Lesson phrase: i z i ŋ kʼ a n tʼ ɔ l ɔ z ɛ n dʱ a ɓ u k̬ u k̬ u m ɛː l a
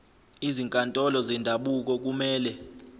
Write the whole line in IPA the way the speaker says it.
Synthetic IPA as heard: i z i ŋ kʼ a n tʼ ɔ l ɔ z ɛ n dʱ a ɓ u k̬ ɔ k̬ u m ɛː l ɛ